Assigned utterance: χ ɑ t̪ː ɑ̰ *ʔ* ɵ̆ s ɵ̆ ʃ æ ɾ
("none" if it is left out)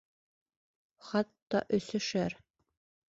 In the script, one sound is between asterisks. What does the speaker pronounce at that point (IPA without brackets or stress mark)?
ʔ